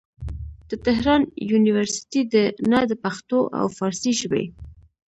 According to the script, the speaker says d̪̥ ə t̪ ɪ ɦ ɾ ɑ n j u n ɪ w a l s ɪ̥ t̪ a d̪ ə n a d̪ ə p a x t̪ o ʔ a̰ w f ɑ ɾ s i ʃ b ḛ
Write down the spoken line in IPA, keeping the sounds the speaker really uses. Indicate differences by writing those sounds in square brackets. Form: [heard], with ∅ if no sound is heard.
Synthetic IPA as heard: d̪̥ ə t̪ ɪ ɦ ɾ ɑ n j u n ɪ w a [ɾ] s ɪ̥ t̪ [i] d̪ ə n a d̪ ə p a x t̪ o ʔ a̰ w f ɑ ɾ s i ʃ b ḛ